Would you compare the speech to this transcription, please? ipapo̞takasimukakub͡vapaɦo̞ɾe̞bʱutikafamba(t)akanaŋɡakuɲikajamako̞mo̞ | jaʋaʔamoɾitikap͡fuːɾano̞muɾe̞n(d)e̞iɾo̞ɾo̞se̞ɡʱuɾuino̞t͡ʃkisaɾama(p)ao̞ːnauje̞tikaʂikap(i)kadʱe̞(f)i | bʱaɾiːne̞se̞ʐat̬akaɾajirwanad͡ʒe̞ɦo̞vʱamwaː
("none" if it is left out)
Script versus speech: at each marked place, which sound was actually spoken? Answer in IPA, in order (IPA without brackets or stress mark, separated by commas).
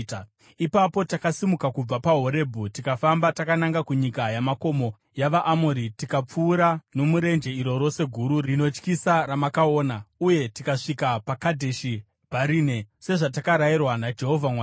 t, d͡ʒ, k, a, ʃ